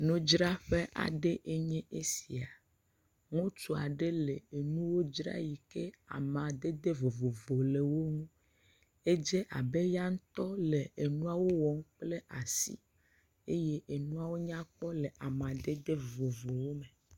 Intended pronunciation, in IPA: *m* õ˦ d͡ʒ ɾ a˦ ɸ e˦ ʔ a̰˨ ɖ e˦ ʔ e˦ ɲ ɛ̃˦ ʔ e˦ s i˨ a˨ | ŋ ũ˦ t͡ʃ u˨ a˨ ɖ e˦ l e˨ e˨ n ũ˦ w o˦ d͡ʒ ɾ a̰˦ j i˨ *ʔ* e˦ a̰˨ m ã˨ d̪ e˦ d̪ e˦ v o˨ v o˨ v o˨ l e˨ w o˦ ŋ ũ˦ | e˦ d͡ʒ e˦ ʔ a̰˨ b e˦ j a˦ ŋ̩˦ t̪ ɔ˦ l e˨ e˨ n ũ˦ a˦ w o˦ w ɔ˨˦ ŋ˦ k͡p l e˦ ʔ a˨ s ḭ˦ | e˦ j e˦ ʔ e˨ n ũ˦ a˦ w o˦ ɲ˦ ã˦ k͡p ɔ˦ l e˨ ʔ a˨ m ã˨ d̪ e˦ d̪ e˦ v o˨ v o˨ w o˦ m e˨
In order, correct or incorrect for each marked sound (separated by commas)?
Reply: incorrect, incorrect